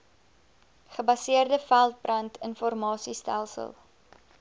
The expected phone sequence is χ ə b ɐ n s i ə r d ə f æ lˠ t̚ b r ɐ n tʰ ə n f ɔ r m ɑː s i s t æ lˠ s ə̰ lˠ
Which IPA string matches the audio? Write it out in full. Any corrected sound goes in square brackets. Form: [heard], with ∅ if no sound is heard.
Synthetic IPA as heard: χ ə b ɐ [∅] s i ə r d ə f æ lˠ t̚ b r ɐ n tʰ ə n f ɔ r m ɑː s i s t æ lˠ s ə̰ lˠ